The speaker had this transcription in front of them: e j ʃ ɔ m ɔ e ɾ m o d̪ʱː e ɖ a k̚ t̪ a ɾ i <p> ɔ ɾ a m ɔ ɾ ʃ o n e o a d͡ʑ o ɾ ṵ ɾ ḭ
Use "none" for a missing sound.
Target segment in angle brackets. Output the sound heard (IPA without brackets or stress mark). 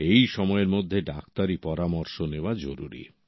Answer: p